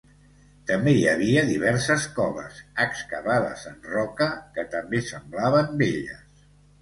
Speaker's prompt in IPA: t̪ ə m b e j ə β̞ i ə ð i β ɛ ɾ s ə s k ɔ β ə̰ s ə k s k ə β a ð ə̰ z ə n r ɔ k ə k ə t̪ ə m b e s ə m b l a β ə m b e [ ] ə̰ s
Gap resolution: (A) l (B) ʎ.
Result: B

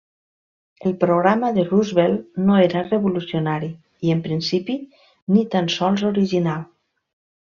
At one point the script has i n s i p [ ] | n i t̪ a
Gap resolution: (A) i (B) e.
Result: A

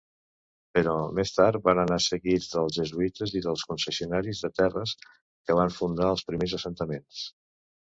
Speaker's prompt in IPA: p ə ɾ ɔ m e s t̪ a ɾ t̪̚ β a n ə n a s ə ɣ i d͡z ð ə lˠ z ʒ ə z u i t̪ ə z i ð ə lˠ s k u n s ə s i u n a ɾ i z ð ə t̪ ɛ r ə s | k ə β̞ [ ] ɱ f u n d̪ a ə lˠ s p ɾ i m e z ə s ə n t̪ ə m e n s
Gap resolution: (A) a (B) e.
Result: A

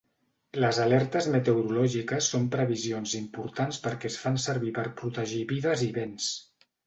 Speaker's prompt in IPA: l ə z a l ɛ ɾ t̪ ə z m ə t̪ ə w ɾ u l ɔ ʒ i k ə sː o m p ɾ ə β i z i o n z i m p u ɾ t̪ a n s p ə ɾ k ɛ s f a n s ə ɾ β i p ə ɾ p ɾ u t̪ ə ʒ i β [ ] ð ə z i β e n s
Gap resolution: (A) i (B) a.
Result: A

